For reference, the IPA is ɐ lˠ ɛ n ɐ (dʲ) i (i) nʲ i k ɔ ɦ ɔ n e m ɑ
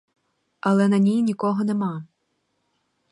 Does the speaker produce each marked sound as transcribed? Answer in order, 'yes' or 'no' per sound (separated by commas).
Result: no, no